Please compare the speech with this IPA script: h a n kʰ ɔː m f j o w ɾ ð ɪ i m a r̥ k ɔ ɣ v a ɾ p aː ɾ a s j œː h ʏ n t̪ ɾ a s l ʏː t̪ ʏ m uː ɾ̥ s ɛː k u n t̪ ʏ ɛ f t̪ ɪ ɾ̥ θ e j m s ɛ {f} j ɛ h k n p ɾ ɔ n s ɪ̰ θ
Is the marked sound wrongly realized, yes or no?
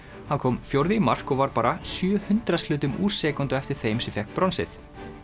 no